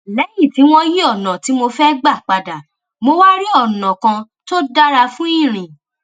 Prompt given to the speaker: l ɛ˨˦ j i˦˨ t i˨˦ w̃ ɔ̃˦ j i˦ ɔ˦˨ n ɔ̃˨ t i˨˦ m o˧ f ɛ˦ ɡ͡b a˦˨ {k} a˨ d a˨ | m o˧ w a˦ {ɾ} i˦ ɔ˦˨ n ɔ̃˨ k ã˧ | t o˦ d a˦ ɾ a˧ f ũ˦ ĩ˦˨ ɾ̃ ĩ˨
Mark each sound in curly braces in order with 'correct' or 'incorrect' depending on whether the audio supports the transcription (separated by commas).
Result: incorrect, correct